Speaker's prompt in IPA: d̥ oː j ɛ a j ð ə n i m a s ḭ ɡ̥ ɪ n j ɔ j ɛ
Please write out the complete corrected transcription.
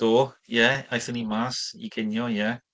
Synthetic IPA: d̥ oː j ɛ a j θ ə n i m a s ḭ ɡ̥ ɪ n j ɔ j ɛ